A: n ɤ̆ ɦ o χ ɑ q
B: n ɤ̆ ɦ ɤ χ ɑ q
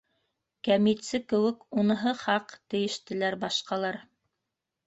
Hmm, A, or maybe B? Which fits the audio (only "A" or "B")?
B